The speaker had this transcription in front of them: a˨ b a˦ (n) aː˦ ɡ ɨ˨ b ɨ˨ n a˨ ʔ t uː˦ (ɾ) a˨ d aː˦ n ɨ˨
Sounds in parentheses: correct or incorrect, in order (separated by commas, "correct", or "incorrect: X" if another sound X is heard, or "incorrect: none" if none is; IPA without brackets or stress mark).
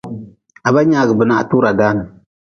incorrect: ɲ, correct